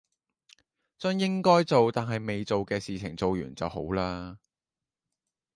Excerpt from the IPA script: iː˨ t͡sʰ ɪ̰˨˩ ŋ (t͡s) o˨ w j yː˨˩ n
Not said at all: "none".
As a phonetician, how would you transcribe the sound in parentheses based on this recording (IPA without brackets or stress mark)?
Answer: t͡s